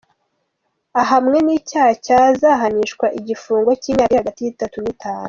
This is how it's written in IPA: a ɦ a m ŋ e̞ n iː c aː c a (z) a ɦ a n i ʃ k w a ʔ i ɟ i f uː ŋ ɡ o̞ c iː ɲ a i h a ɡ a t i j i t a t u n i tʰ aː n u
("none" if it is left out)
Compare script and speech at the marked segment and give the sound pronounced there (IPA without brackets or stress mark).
z